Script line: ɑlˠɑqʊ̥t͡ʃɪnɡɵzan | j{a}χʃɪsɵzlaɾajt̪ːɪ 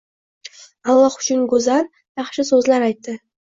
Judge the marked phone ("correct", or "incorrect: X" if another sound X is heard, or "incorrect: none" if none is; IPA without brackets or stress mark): incorrect: ɑ